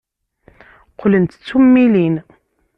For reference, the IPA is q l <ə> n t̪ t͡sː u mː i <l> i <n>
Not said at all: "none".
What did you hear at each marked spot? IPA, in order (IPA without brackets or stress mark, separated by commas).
ə, l, n